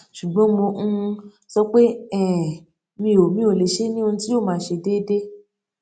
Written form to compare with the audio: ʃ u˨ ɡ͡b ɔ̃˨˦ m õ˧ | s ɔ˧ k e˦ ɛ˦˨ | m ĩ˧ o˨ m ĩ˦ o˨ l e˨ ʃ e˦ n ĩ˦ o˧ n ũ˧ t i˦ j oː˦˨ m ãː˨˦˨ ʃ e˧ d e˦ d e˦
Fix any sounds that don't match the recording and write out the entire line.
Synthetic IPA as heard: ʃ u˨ ɡ͡b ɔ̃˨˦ m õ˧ | s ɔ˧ k͡p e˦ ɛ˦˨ | m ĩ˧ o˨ m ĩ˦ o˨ l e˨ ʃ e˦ n ĩ˦ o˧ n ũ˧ t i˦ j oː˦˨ m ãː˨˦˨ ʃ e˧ d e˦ d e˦